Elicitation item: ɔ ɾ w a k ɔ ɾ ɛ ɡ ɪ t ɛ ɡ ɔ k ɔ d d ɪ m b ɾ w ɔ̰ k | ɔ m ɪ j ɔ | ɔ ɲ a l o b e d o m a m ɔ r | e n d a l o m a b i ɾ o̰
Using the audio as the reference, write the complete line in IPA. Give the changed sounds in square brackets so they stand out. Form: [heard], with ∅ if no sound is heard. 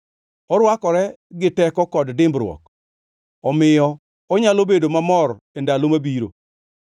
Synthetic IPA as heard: ɔ ɾ w a k ɔ ɾ ɛ ɡ ɪ t ɛ [k] ɔ k ɔ d d ɪ m b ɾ w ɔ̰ k | ɔ m ɪ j ɔ | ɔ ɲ a l o b e d o m a m ɔ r | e n d a l o m a b i ɾ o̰